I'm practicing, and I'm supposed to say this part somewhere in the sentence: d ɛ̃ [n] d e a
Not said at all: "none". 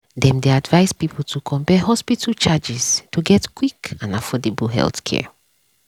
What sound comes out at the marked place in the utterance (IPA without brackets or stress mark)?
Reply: m